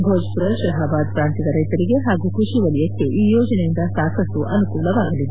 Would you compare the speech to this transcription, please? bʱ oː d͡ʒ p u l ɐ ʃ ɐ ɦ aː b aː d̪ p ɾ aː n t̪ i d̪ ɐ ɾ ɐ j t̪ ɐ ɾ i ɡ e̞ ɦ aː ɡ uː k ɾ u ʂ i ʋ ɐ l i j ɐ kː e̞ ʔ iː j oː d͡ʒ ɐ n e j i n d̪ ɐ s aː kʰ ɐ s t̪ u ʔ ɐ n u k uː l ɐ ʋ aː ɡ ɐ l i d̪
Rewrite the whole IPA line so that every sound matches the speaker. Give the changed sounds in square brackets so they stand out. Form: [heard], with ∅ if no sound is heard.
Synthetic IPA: bʱ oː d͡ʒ p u [ɾ] ɐ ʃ ɐ ɦ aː b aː d̪ p ɾ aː n t̪ i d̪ ɐ ɾ ɐ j t̪ ɐ ɾ i ɡ e̞ ɦ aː ɡ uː k ɾ u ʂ i ʋ ɐ l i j ɐ kː e̞ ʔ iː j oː d͡ʒ ɐ n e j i n d̪ ɐ s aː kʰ ɐ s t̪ u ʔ ɐ n u k uː l ɐ ʋ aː ɡ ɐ l i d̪